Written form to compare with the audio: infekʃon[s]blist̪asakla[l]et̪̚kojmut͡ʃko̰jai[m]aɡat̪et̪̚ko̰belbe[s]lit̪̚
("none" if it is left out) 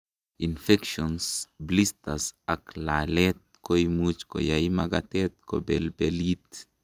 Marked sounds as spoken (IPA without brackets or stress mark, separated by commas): s, l, m, none